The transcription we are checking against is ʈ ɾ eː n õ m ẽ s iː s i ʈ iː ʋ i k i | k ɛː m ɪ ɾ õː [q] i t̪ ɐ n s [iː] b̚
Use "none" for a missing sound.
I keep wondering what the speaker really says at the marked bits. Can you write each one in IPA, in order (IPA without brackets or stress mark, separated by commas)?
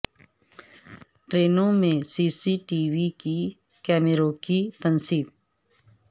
k, iː